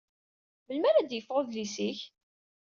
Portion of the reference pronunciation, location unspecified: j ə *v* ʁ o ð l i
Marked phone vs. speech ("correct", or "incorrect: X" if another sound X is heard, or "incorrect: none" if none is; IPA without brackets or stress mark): incorrect: f